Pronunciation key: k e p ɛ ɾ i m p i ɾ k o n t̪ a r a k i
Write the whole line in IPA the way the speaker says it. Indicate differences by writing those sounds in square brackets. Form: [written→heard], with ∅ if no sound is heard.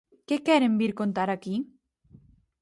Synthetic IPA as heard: k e [p→k] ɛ ɾ [i→e] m [p→b] i ɾ k o n t̪ a [r→ɾ] a k i